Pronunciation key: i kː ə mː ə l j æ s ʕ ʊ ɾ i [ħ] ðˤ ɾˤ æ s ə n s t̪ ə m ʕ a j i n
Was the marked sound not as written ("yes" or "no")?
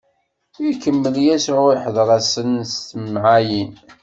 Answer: no